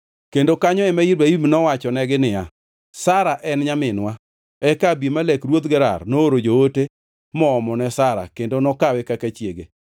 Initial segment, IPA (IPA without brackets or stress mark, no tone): k